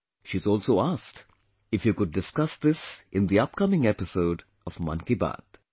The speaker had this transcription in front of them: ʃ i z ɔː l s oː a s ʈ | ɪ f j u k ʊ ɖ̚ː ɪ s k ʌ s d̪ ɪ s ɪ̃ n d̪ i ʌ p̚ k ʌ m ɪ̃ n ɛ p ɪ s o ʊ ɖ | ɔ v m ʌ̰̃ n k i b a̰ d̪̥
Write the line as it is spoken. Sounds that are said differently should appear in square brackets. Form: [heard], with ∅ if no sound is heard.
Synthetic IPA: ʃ i z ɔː l s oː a s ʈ | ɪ f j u k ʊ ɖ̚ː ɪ s k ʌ s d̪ ɪ s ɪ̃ n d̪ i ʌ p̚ k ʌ m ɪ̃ [ŋ] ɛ p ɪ s o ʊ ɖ | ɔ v m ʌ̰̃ n k i b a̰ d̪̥